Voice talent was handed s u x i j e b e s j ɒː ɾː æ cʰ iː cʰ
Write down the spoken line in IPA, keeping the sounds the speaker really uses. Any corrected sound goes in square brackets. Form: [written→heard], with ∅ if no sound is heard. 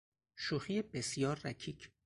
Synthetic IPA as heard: [s→ʃ] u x i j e b e s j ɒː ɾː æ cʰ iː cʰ